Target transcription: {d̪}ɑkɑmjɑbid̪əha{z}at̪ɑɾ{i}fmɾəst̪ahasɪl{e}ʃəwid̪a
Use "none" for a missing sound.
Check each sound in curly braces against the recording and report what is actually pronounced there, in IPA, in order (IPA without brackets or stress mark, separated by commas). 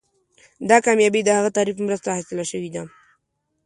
d̪, ɣ, i, a